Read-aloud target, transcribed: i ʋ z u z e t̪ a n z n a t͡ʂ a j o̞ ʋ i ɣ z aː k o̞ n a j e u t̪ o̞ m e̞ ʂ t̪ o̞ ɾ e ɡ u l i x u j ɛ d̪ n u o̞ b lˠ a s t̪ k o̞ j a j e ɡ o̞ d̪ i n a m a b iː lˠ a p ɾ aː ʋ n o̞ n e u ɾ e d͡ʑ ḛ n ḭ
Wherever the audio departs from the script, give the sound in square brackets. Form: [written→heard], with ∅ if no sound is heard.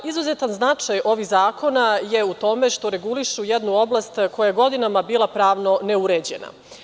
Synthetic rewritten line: i [ʋ→∅] z u z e t̪ a n z n a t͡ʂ a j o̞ ʋ i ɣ z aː k o̞ n a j e u t̪ o̞ m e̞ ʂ t̪ o̞ ɾ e ɡ u l i [x→ʃ] u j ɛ d̪ n u o̞ b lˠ a s t̪ k o̞ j a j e ɡ o̞ d̪ i n a m a b iː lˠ a p ɾ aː ʋ n o̞ n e u ɾ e d͡ʑ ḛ n [ḭ→a̰]